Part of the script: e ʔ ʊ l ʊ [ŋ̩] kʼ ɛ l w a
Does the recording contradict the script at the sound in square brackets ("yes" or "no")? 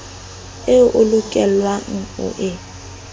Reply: yes